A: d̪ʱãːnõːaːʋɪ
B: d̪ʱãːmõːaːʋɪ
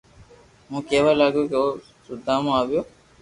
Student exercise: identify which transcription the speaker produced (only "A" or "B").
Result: B